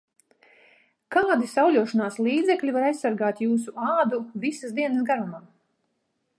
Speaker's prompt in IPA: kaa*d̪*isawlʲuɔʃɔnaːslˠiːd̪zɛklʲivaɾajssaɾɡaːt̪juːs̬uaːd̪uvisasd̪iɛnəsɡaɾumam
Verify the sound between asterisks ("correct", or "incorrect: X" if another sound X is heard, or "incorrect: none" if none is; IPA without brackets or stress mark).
correct